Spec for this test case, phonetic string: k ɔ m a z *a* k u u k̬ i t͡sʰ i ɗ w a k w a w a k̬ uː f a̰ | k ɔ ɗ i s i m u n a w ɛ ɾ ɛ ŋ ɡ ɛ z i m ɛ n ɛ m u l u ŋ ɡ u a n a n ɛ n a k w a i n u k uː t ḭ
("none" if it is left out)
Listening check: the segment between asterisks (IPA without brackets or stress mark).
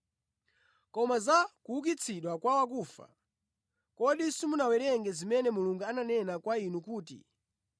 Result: a